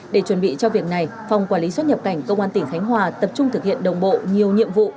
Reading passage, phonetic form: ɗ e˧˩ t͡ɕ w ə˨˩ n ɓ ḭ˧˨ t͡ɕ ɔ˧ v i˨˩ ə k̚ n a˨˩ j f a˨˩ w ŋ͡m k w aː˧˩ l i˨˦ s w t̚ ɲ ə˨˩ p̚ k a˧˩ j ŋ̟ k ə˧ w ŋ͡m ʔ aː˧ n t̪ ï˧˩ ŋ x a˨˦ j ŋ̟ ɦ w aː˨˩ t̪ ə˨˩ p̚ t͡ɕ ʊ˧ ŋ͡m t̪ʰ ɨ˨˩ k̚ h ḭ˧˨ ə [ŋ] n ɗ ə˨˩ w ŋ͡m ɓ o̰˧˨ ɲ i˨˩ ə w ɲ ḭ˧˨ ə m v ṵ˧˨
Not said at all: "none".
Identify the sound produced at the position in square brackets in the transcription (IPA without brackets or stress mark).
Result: none